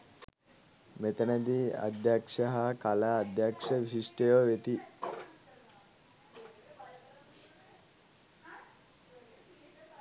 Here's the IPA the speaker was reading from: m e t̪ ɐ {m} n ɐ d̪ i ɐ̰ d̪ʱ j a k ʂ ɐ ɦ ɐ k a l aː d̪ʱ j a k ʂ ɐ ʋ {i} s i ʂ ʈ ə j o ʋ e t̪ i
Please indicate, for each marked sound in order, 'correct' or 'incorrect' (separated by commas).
incorrect, correct